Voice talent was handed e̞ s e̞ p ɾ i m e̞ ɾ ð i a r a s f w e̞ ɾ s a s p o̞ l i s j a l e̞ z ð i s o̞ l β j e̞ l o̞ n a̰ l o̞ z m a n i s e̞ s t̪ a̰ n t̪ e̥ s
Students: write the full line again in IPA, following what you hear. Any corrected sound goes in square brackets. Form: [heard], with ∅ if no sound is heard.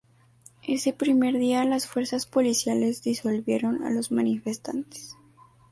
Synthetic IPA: e̞ s e̞ p ɾ i m e̞ ɾ ð i a [l] a s f w e̞ ɾ s a s p o̞ l i s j a l e̞ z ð i s o̞ l β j e̞ [ɾ] o̞ n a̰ l o̞ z m a n i [f] e̞ s t̪ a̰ n t̪ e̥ s